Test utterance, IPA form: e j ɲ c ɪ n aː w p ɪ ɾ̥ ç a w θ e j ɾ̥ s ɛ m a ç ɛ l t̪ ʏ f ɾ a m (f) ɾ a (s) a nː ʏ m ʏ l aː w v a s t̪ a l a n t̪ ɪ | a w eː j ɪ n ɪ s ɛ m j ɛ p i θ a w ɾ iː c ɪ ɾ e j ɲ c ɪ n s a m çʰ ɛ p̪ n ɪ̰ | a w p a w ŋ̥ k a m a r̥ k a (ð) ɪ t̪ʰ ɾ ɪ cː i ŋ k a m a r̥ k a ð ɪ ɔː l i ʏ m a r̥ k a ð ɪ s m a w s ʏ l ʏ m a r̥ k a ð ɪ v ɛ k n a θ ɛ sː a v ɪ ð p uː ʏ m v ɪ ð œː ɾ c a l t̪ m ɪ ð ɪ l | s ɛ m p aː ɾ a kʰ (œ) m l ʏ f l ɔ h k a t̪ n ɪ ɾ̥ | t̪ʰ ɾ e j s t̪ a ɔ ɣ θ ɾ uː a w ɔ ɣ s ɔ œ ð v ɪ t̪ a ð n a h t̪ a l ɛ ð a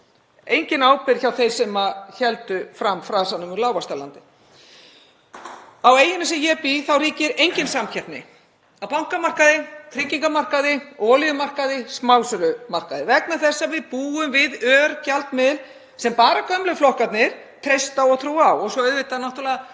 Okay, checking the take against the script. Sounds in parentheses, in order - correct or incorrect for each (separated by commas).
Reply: correct, correct, correct, correct